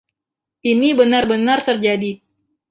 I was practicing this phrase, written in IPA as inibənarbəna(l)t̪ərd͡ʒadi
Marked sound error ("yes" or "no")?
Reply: yes